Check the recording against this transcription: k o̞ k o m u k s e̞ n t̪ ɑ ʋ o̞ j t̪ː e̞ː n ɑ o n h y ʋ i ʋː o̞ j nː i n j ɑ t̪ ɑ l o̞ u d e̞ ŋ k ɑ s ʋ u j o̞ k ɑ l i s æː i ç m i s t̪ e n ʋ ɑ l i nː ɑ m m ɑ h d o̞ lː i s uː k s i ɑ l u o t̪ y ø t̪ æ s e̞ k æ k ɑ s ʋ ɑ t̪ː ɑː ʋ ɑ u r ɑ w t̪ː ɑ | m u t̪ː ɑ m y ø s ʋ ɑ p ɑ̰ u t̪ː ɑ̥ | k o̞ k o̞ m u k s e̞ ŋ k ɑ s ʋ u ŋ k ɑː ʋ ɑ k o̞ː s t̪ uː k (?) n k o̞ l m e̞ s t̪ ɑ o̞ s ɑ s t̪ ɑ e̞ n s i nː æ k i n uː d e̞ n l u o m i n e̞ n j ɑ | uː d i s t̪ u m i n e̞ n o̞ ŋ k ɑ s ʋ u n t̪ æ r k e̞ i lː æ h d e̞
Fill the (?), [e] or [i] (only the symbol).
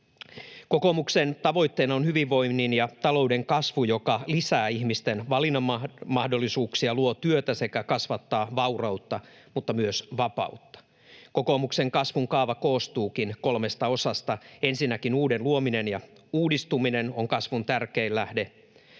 i